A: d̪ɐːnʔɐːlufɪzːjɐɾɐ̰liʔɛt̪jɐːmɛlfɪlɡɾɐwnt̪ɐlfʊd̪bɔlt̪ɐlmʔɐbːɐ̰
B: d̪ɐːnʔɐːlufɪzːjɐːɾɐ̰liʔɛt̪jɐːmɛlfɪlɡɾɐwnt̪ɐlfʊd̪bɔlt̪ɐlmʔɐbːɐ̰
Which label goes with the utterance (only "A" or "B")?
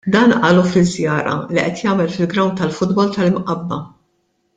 B